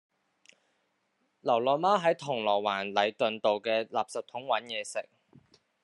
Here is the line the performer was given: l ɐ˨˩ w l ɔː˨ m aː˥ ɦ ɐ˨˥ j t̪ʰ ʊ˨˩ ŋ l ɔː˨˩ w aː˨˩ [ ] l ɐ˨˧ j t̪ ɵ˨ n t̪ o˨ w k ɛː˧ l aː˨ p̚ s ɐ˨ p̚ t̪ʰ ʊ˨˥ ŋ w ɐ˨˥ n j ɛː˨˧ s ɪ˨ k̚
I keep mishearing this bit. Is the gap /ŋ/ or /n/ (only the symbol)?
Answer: n